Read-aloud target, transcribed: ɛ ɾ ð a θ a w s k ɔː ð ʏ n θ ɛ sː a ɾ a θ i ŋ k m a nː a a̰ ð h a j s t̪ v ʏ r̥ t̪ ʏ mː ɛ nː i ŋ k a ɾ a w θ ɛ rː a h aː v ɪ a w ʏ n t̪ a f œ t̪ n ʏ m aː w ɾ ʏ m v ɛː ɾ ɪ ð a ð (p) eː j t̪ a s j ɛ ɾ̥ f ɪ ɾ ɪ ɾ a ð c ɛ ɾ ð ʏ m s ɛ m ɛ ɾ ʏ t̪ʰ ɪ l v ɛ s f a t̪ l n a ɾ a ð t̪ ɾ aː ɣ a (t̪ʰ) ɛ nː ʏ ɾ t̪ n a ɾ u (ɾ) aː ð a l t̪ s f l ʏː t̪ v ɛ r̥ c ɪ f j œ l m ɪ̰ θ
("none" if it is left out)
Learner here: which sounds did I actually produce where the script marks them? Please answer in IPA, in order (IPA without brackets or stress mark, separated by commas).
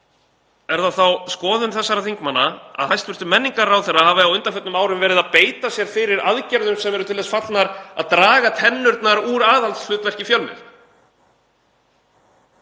p, t̪ʰ, ɾ